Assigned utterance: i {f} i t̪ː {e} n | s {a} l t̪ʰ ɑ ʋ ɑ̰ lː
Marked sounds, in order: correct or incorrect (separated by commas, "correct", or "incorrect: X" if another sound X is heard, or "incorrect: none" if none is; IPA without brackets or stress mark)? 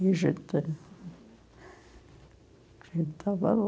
incorrect: s, correct, incorrect: i